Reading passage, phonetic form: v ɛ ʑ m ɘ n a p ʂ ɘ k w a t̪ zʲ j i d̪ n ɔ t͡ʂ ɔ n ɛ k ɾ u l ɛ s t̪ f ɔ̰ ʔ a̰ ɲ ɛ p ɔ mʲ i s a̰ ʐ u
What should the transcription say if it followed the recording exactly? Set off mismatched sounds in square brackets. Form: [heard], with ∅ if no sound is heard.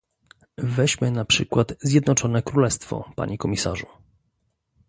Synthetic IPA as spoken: v ɛ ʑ m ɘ n a p ʂ ɘ k w a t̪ zʲ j [ɛ] d̪ n ɔ t͡ʂ ɔ n ɛ k ɾ u l ɛ s t̪ f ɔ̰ [p] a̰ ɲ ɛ [k] ɔ mʲ i s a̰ ʐ u